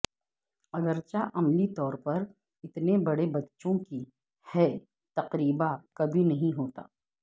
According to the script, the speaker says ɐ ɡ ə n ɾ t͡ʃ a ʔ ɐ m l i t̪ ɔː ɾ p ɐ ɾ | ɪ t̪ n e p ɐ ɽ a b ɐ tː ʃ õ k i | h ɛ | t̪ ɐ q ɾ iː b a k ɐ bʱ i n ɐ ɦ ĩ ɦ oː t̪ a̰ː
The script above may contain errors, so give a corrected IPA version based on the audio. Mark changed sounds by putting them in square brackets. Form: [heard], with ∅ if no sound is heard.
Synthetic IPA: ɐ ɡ ə [∅] ɾ t͡ʃ a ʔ ɐ m l i t̪ ɔː ɾ p ɐ ɾ | ɪ t̪ n e [b] ɐ ɽ [e] b ɐ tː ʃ õ k i | h ɛ | t̪ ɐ q ɾ iː b a k ɐ bʱ i n ɐ ɦ ĩ ɦ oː t̪ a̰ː